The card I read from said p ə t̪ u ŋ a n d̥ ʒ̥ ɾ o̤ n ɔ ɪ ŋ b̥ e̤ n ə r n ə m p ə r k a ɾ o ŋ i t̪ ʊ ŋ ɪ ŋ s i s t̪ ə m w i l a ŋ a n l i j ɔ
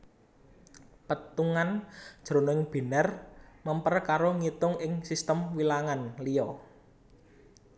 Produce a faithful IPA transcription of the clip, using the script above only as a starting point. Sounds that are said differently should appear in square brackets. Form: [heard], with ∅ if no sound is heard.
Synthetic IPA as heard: p ə t̪ u ŋ a n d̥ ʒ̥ ɾ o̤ n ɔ ɪ ŋ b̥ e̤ n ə r [m] ə m p ə r k a ɾ o ŋ i t̪ ʊ ŋ ɪ ŋ s i s t̪ ə m w i l a ŋ a n l i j ɔ